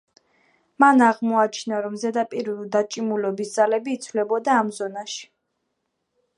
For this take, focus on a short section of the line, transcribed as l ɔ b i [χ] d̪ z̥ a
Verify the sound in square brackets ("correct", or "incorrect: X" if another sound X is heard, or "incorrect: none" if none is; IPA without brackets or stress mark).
incorrect: s